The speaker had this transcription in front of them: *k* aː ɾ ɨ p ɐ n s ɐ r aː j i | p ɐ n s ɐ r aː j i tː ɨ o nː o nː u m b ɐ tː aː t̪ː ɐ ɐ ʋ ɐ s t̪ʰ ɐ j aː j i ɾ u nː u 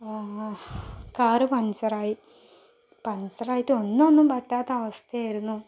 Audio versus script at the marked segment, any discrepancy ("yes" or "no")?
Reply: no